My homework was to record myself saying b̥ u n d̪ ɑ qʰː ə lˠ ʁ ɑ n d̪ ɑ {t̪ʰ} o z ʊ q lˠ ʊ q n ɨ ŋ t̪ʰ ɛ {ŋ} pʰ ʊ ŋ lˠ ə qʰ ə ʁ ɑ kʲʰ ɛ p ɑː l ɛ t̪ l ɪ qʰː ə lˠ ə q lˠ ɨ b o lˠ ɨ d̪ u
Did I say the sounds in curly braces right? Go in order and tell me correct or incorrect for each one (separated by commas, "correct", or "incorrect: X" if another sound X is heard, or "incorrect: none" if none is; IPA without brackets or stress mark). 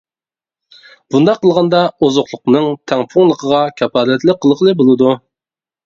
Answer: incorrect: none, correct